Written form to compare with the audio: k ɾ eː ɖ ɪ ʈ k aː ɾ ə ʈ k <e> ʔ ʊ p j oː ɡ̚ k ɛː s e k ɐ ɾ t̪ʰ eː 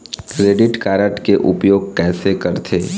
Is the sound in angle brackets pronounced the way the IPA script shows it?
yes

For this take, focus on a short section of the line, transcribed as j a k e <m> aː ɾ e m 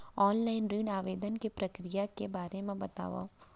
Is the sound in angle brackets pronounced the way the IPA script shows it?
no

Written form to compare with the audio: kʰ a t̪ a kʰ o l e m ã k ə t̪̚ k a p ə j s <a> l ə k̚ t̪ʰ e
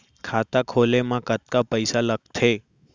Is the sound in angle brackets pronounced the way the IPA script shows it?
yes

